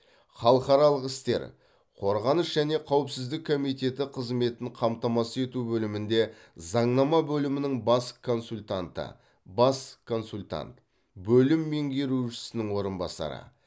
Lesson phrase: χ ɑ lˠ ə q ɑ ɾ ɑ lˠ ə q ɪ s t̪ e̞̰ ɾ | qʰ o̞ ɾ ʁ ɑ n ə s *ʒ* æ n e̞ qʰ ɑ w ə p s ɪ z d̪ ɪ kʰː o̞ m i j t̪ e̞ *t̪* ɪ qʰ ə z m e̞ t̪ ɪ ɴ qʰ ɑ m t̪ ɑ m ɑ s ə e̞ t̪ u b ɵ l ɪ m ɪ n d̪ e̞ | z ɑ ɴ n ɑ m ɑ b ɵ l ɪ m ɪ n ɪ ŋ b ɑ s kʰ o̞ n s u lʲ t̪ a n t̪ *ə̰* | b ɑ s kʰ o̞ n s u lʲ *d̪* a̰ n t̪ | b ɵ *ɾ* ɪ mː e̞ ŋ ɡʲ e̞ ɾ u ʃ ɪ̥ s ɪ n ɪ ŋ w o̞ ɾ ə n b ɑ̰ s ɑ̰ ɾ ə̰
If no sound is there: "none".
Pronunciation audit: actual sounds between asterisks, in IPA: ʒ, t̪, ə̰, t̪, l

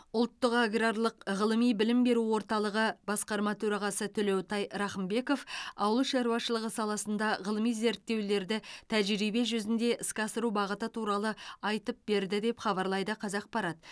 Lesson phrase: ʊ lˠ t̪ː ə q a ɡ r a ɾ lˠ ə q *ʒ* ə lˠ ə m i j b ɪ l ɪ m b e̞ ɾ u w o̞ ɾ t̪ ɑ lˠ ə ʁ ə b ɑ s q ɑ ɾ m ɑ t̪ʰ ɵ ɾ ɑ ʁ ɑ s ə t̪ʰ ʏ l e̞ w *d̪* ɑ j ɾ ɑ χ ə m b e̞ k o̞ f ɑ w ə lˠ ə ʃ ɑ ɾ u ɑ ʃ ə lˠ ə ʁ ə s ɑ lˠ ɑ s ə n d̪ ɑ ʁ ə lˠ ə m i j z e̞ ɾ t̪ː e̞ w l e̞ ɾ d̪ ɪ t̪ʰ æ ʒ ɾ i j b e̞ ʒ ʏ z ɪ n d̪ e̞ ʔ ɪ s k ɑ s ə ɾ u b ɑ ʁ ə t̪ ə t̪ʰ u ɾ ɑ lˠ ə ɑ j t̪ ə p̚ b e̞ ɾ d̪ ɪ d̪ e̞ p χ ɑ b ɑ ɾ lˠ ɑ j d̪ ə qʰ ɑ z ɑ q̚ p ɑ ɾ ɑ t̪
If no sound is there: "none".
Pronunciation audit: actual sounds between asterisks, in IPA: ʁ, t̪

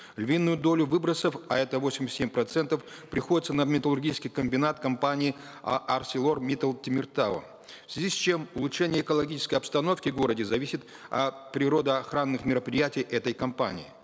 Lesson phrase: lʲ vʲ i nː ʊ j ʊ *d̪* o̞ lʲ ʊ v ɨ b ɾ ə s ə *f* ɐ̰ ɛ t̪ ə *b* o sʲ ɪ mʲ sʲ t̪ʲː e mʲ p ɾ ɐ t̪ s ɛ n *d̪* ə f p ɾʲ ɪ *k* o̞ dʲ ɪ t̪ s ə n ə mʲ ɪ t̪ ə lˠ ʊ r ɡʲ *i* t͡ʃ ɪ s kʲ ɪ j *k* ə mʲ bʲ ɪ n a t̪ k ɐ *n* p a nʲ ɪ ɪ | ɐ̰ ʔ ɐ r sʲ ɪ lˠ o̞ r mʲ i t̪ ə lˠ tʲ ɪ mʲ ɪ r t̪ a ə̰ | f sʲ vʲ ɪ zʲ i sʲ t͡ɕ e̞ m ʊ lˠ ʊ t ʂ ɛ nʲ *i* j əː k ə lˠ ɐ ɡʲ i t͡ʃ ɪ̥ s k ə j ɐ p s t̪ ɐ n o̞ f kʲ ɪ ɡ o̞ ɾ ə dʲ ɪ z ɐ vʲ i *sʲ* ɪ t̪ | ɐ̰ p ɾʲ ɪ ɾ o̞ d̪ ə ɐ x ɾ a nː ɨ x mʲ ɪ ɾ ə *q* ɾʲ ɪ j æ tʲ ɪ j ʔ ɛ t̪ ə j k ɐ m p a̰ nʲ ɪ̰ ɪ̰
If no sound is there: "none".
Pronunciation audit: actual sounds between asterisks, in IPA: d̪, f, v, t̪, x, i, k, m, ɪ, sʲ, p

